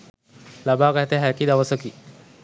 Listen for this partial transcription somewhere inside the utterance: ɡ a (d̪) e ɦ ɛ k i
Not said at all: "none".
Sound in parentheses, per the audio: t̪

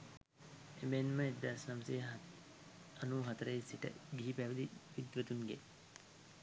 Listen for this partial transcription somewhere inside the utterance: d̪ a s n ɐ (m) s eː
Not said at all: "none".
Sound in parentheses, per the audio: m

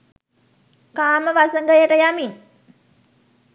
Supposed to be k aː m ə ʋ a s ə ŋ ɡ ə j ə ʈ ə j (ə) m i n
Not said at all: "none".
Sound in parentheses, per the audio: a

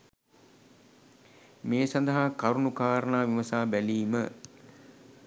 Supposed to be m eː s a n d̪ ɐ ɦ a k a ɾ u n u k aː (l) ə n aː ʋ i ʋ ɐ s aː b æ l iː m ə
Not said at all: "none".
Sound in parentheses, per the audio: ɾ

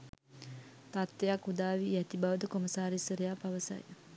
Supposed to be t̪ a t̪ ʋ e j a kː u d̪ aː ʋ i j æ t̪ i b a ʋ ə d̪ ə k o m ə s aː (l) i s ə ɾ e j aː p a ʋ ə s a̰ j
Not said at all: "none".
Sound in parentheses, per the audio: ɾ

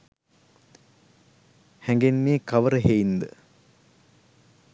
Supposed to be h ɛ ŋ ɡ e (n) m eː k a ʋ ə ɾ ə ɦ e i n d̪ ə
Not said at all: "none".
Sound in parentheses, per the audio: n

